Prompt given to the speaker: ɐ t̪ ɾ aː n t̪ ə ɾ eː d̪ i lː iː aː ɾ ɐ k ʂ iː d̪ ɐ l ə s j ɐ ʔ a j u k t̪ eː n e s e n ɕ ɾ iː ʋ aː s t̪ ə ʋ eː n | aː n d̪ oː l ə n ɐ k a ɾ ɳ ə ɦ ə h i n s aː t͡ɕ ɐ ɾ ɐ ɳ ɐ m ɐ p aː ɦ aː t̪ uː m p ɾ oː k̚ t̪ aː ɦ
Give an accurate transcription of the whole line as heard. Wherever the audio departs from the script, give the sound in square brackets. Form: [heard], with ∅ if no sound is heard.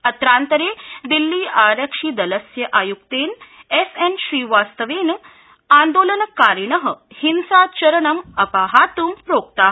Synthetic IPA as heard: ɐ t̪ ɾ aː n t̪ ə ɾ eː d̪ i lː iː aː ɾ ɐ k ʂ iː d̪ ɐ l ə s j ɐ ʔ a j u k t̪ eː n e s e n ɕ ɾ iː ʋ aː s t̪ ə ʋ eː n | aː n d̪ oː l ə n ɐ k a ɾ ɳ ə ɦ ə h i n s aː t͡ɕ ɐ ɾ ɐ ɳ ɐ m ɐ p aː ɦ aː t̪ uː m p ɾ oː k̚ t̪ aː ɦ